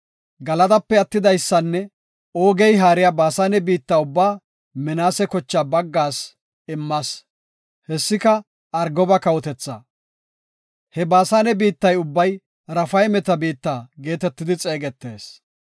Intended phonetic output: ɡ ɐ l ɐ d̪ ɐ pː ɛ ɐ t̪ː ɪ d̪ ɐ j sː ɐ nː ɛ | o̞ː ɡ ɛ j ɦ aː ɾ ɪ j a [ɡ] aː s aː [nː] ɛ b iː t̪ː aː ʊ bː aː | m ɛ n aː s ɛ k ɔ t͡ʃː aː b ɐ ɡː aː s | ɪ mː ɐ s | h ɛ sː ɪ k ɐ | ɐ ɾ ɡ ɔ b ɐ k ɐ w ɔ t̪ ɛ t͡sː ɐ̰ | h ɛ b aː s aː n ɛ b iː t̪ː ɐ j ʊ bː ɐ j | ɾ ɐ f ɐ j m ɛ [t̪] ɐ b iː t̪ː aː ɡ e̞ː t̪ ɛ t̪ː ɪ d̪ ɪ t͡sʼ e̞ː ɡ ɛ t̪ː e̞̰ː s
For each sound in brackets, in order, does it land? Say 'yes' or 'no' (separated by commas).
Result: no, no, yes